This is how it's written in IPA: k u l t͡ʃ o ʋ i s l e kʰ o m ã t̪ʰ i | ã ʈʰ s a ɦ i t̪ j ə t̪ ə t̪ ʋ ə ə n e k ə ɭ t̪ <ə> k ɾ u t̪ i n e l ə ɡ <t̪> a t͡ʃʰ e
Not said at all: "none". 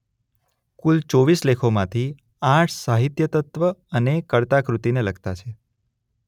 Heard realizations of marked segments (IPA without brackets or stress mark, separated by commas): a, t̪